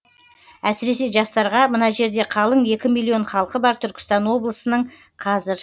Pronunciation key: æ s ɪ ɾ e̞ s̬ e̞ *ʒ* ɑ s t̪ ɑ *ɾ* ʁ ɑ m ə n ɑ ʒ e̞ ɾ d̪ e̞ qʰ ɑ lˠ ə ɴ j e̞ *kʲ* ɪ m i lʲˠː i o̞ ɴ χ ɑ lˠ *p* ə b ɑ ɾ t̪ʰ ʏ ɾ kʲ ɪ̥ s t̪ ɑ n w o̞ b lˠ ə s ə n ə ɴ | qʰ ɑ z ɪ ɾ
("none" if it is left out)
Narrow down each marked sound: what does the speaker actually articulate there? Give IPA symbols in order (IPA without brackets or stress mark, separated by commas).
ʒ, ɾ, kʲ, q